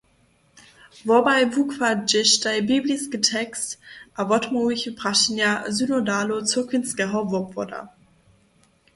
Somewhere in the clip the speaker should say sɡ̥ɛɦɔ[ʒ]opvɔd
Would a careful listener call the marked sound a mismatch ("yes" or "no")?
yes